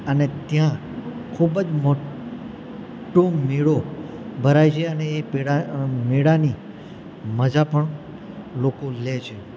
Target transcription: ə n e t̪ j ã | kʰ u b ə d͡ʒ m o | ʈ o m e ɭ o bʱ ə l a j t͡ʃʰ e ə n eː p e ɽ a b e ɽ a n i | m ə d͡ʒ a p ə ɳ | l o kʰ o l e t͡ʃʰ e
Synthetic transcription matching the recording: ə n e t̪ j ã | kʰ u b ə d͡ʒ m o | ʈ o m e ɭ o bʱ ə ɾ a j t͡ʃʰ e ə n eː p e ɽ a m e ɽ a n i | m ə d͡ʒ a p ə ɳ | l o k o l e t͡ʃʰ e